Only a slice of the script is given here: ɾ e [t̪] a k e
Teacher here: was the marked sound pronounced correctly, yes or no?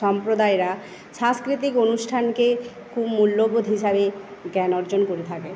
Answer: no